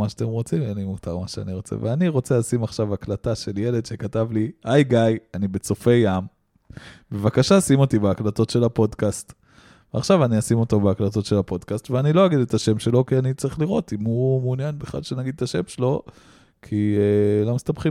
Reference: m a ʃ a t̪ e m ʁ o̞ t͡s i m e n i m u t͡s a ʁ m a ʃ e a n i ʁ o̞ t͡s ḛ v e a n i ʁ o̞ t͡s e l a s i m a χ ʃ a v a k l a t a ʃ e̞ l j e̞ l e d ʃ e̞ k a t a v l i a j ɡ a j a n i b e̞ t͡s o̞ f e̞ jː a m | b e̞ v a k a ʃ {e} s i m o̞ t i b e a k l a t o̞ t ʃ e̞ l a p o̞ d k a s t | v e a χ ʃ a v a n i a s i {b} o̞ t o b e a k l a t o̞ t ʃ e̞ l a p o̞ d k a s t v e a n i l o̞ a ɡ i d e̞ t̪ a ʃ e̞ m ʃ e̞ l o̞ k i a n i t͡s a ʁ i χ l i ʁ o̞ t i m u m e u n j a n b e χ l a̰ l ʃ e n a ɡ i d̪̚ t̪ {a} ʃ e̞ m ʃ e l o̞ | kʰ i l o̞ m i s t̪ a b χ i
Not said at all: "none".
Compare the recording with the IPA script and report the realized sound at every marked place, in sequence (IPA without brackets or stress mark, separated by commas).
a, m, a